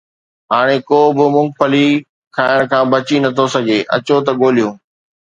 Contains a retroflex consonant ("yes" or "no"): yes